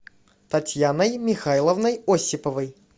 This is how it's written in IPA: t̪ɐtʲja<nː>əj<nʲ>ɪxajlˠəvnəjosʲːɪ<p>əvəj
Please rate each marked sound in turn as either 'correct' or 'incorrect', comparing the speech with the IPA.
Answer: incorrect: n, incorrect: mʲ, correct

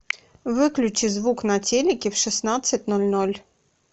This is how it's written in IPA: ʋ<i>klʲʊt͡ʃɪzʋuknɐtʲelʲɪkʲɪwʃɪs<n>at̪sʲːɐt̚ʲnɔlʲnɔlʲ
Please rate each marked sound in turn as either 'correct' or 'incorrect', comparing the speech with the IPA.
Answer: incorrect: ɪ, correct

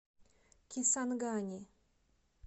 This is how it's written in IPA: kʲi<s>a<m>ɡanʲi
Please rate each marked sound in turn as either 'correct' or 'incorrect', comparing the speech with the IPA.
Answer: correct, incorrect: n

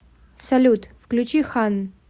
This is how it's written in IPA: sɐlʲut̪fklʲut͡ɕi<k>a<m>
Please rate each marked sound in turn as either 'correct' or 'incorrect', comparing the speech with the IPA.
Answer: incorrect: x, incorrect: n

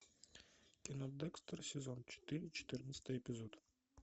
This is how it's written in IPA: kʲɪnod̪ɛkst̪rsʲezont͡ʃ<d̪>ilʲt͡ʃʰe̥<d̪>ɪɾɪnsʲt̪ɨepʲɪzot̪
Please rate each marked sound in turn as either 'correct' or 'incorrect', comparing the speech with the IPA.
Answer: incorrect: t̪, incorrect: t̪

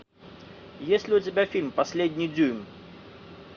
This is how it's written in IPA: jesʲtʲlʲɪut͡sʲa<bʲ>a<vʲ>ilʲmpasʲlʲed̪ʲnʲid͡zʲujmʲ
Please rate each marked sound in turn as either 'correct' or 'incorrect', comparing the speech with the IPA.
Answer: correct, incorrect: fʲ

